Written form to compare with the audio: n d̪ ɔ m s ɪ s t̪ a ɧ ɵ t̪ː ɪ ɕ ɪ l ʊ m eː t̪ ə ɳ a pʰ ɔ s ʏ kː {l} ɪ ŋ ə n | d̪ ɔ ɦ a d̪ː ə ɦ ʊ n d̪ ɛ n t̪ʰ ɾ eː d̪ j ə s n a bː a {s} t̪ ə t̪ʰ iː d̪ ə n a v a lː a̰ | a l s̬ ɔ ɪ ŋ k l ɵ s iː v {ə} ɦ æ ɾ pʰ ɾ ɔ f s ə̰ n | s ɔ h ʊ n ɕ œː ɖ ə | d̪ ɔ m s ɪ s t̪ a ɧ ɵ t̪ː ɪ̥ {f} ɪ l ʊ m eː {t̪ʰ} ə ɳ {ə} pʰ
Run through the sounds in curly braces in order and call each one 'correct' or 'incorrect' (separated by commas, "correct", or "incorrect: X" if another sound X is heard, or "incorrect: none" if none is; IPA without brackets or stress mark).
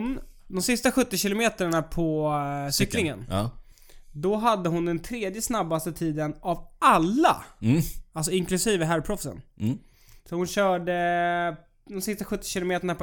correct, correct, correct, incorrect: ɕ, incorrect: t̪, incorrect: a